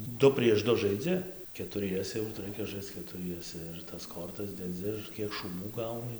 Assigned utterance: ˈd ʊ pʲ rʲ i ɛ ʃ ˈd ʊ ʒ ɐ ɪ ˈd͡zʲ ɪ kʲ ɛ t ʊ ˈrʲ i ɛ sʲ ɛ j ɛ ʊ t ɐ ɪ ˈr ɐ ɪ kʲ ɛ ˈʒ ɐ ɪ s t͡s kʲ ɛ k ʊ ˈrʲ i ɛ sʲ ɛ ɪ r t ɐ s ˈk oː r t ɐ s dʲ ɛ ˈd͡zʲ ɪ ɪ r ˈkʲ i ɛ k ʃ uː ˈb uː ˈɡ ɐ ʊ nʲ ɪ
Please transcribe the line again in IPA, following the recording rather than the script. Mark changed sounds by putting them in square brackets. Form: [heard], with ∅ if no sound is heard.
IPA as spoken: ˈd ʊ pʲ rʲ i ɛ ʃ ˈd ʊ ʒ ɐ ɪ ˈd͡zʲ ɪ kʲ ɛ t ʊ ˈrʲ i ɛ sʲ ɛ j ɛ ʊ t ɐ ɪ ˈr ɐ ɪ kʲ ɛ ˈʒ ɐ ɪ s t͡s kʲ ɛ [t] ʊ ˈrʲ i ɛ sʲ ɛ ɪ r t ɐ s ˈk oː r t ɐ s dʲ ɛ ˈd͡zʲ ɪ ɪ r ˈkʲ i ɛ k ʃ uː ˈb uː ˈɡ ɐ ʊ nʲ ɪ